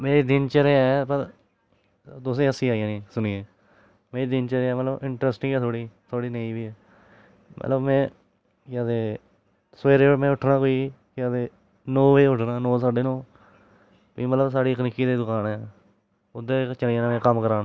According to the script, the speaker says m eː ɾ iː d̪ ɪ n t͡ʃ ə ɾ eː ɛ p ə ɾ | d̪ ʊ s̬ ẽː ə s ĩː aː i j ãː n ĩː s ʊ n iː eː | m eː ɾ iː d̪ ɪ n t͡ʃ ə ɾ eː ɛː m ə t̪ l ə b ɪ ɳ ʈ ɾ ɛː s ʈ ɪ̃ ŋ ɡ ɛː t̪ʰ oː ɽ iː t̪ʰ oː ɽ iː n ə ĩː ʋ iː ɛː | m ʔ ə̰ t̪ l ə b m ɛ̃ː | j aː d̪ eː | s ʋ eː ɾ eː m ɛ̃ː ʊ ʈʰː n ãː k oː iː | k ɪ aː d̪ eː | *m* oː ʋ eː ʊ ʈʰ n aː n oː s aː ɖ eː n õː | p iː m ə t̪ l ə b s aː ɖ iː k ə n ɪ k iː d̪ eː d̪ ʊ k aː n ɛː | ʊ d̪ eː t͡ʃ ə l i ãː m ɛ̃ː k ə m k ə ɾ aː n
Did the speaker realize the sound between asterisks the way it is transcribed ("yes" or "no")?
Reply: no